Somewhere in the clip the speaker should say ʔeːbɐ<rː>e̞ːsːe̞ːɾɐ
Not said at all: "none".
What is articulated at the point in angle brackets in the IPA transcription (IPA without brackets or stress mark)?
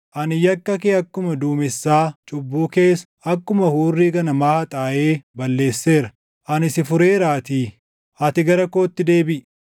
lː